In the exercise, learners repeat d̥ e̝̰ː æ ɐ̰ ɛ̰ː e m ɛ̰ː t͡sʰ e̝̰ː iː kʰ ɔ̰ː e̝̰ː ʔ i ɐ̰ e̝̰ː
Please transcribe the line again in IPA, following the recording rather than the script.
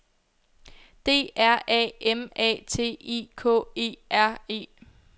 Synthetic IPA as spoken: d̥ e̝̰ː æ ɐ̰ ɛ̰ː e m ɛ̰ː t͡sʰ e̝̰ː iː kʰ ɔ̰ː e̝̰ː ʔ æ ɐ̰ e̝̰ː